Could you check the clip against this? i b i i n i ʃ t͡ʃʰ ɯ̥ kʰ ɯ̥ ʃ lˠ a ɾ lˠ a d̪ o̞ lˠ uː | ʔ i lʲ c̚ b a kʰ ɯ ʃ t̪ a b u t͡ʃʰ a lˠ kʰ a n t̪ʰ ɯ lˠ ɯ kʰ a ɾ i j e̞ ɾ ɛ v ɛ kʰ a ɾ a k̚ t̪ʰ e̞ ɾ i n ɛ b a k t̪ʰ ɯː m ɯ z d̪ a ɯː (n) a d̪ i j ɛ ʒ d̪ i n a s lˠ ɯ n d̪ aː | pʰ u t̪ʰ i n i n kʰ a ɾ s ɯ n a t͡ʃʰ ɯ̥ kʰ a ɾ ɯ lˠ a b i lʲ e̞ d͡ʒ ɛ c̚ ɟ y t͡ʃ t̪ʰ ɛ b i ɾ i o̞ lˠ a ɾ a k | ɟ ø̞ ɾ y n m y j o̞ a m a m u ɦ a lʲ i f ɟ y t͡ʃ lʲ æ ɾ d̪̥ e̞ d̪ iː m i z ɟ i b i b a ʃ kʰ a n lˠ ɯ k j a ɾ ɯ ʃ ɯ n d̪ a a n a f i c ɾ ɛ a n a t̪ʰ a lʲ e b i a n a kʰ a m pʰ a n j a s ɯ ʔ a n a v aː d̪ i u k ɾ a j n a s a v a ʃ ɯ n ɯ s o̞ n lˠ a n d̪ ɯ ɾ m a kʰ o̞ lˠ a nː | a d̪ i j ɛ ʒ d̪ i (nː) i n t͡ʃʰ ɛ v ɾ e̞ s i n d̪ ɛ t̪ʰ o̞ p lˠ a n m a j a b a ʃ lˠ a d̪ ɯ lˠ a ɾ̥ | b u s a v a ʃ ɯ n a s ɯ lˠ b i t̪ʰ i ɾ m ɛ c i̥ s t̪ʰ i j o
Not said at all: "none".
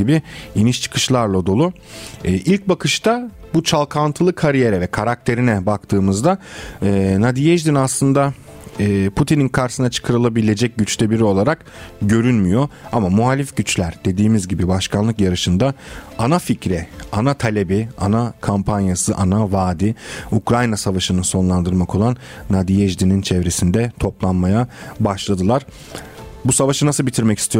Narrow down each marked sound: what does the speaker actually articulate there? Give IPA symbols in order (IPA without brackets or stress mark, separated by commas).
n, n